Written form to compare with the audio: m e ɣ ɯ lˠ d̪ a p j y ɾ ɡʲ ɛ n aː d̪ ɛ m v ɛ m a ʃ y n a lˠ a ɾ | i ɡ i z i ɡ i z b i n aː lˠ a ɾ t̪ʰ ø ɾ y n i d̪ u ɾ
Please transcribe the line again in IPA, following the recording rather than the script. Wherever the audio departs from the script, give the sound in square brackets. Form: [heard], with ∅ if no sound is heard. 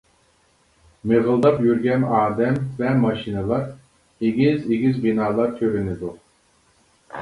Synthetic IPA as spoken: m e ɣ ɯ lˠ d̪ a p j y ɾ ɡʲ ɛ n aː d̪ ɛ m v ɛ m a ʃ [i] n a lˠ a ɾ | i ɡ i z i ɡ i z b i n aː lˠ a ɾ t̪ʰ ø ɾ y n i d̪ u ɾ

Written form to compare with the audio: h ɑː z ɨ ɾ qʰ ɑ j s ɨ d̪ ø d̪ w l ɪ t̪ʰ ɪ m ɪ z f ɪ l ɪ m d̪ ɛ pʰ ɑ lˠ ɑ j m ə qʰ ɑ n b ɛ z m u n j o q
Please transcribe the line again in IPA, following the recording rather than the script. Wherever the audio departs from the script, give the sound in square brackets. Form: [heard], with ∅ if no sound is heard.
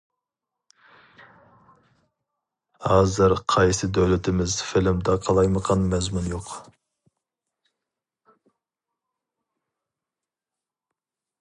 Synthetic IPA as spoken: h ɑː z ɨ ɾ qʰ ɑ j s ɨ d̪ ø [∅] w l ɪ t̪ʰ ɪ m ɪ z f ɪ l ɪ m d̪ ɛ [qʰ] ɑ lˠ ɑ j m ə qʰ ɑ n [m] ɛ z m u n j o q

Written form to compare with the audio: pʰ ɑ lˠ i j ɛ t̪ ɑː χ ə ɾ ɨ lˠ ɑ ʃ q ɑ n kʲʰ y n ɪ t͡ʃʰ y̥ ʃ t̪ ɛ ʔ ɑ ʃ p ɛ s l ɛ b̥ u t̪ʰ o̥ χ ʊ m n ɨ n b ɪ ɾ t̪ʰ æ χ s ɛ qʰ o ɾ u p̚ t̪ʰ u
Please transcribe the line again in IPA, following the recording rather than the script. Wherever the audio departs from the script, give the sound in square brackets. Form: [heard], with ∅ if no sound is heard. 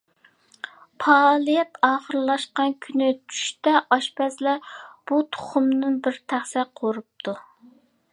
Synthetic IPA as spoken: pʰ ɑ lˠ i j ɛ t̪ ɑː χ ə ɾ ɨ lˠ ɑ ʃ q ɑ n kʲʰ y n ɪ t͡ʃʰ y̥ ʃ t̪ ɛ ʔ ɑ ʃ p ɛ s l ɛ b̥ u t̪ʰ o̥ χ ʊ m n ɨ n b ɪ ɾ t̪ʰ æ χ s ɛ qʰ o ɾ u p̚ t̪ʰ u

